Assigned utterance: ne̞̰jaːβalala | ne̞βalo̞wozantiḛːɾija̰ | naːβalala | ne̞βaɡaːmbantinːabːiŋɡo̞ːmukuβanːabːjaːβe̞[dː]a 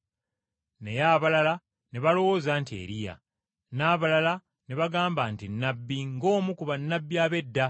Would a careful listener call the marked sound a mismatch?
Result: no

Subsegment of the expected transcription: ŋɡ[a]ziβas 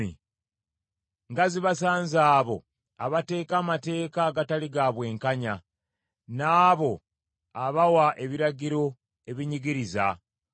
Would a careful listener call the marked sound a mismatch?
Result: no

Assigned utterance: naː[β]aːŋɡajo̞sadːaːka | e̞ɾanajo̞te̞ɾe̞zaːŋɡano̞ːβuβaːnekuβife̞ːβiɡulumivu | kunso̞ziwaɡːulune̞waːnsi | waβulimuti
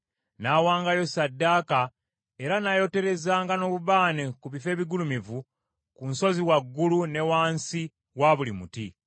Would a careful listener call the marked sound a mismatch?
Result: yes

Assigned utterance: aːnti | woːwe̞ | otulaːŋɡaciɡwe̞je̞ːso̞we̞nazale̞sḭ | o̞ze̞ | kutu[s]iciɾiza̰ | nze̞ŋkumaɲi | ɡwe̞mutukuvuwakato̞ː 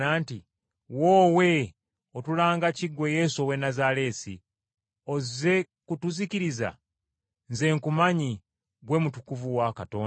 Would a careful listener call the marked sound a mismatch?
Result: yes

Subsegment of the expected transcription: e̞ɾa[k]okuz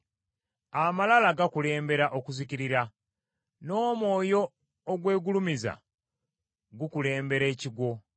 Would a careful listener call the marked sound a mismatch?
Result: yes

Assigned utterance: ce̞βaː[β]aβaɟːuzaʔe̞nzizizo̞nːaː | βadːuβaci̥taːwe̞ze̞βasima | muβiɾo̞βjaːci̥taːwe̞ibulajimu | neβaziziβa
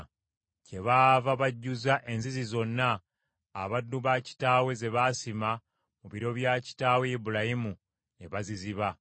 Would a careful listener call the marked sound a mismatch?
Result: yes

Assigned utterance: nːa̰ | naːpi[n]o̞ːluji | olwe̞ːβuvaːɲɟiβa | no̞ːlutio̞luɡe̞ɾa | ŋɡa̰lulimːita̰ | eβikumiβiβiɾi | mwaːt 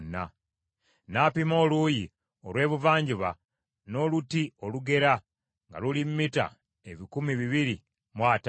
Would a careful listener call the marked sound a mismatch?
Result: yes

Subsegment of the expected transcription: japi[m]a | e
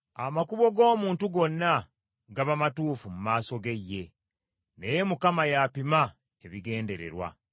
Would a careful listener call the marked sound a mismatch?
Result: no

